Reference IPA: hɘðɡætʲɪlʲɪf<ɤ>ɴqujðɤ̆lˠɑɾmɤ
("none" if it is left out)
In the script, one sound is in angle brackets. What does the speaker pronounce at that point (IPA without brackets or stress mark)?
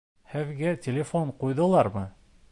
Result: o